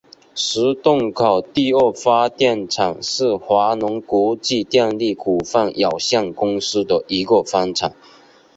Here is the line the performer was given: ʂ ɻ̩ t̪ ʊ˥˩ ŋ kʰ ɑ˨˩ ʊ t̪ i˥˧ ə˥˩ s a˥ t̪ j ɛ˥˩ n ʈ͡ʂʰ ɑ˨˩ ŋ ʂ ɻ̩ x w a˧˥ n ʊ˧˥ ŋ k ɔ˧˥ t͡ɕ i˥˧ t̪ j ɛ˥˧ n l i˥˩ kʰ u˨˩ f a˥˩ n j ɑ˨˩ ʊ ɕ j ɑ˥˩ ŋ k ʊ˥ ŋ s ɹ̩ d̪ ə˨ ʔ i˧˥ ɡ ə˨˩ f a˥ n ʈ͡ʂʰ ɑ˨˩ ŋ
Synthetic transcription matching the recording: ʂ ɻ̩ t̪ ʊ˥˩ ŋ kʰ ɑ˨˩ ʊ t̪ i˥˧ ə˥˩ f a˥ t̪ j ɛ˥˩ n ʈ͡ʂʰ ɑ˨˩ ŋ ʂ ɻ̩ x w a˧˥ n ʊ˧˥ ŋ k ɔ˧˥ t͡ɕ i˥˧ t̪ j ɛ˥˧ n l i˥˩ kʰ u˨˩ f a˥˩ n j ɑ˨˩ ʊ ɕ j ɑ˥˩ ŋ k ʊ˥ ŋ s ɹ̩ d̪ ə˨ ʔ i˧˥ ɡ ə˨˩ f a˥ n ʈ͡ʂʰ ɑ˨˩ ŋ